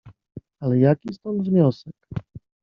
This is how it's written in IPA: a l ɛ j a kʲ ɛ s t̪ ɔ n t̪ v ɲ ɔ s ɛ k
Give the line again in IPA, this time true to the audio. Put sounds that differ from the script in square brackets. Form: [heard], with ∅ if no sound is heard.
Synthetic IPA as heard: a l ɛ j a kʲ [i] s t̪ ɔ n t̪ v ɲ ɔ s ɛ k